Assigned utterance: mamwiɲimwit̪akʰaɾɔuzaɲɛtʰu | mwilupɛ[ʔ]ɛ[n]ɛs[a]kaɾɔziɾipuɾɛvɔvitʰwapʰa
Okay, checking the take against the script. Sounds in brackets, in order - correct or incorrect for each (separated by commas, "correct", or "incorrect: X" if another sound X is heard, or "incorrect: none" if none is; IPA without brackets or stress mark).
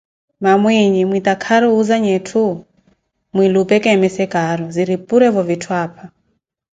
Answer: incorrect: k, incorrect: m, incorrect: ɛ